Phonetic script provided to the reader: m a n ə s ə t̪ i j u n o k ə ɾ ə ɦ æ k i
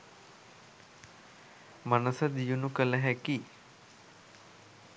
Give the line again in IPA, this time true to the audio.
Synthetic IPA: m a n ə s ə d̪ i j u n u k ə l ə ɦ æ k i